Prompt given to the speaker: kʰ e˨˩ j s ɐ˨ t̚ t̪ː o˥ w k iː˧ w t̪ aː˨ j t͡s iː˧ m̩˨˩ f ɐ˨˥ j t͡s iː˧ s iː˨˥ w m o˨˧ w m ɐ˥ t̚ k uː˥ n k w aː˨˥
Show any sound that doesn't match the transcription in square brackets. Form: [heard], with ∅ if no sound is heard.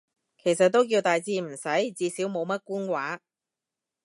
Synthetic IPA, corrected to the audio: kʰ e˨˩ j s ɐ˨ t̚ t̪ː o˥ w k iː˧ w t̪ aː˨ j t͡s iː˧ m̩˨˩ [s] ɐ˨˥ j t͡s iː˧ s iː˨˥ w m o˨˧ w m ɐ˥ t̚ k uː˥ n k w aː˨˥